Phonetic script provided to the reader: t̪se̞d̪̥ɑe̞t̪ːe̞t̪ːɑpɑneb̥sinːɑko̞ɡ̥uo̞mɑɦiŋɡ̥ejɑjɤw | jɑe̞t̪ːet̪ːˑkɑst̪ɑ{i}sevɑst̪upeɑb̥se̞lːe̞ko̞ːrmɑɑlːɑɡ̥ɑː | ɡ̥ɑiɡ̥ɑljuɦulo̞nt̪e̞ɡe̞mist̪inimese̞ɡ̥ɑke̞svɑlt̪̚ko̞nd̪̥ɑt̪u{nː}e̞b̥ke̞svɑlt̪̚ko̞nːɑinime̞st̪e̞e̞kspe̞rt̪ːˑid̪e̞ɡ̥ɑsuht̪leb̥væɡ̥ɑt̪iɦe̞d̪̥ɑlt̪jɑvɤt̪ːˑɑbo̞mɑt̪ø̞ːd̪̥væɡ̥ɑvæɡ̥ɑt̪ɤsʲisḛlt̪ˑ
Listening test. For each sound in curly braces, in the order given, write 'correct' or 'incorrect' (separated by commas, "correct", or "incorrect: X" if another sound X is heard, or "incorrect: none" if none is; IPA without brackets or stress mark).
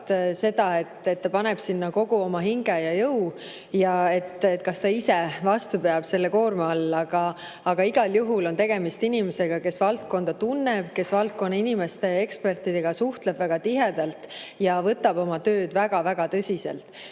correct, correct